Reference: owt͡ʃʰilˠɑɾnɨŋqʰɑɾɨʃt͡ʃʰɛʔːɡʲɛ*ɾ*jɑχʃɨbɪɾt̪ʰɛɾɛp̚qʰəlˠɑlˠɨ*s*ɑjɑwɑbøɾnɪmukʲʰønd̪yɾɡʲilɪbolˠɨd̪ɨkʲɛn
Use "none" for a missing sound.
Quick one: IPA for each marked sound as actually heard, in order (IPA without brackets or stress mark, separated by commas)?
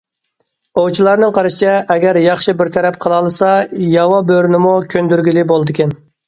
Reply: ɾ, s